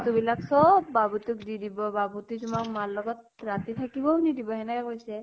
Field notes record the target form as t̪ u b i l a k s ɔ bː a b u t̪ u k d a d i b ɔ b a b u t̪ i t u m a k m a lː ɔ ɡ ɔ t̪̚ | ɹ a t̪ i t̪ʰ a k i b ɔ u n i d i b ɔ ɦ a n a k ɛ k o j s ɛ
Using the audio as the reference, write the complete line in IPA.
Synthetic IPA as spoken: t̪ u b i l a k s ɔ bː a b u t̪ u k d i d i b ɔ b a b u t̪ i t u m a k m a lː ɔ ɡ ɔ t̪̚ | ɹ a t̪ i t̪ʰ a k i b ɔ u n i d i b ɔ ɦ ɛ n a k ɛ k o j s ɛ

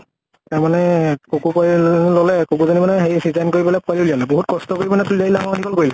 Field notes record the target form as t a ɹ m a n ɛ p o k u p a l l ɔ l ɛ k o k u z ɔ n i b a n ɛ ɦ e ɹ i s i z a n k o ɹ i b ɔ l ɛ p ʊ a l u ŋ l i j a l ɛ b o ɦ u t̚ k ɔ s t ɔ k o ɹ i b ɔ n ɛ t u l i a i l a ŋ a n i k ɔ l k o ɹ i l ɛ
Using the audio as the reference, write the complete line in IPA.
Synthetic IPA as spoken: t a ɹ m a n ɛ k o k u p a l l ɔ l ɛ k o k u z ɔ n i m a n ɛ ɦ e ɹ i s i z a n k o ɹ i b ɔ l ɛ p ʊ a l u l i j a l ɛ b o ɦ u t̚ k ɔ s t ɔ k o ɹ i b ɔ n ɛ t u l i a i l a ŋ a n i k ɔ l k o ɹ i l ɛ

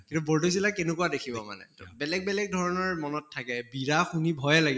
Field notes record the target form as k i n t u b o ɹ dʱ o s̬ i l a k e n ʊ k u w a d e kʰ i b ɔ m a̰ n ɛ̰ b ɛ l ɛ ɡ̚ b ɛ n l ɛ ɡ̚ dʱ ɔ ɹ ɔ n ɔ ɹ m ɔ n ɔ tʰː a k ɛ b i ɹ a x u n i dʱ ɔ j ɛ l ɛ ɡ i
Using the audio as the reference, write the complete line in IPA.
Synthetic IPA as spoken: k i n t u b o ɹ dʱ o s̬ i l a k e n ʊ k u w a d e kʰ i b ɔ m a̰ n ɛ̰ b ɛ l ɛ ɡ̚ b ɛ l ɛ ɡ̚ dʱ ɔ ɹ ɔ n ɔ ɹ m ɔ n ɔ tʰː a k ɛ b i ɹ a x u n i bʱ ɔ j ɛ l a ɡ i

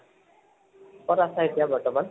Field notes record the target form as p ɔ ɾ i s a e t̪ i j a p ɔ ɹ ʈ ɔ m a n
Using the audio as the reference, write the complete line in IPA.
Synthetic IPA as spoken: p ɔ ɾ a s a e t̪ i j a b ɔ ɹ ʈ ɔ m a n

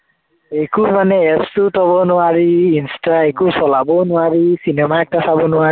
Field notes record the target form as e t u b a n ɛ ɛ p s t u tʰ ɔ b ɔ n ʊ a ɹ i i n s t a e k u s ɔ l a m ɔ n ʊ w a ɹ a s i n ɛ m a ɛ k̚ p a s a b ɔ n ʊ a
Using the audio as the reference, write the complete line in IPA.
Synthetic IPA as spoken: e k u m a n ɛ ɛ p s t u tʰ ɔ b ɔ n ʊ a ɹ i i n s t a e k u s ɔ l a b ɔ n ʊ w a ɹ i s i n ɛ m a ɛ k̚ t a s a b ɔ n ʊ a

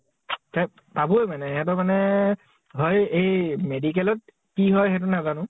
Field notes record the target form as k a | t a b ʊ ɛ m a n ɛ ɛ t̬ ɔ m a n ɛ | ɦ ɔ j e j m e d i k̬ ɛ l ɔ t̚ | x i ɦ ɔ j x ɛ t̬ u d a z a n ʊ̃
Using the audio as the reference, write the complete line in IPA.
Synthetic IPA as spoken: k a | t a b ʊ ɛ m a n ɛ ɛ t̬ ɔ m a n ɛ | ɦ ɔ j e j m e d i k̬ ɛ l ɔ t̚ | k i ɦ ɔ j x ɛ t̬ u n a z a n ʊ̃

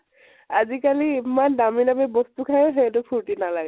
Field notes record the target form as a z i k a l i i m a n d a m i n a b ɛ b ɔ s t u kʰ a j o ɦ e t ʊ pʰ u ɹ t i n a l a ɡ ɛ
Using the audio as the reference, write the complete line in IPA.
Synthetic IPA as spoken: a z i k a l i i m a n d a m i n a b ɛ b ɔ s t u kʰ a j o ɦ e t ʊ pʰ u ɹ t i n a l a ɡ ɛ

